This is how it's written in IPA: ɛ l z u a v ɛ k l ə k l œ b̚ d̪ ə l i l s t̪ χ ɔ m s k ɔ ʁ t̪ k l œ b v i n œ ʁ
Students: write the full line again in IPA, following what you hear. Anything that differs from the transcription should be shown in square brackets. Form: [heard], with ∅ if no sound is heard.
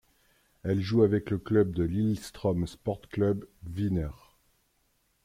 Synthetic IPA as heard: ɛ l [ʒ] u a v ɛ k l ə k l œ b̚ d̪ ə l i l s t̪ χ ɔ m s [p] ɔ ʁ t̪ k l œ b v i n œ ʁ